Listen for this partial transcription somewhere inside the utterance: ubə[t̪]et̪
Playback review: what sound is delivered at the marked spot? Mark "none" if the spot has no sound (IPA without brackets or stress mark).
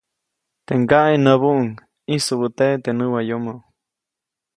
t̪